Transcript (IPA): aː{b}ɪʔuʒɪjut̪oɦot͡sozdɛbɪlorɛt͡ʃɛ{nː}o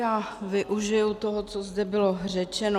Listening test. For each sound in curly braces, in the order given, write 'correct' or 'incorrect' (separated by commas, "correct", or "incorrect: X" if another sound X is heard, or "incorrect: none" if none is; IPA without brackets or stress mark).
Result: incorrect: v, incorrect: n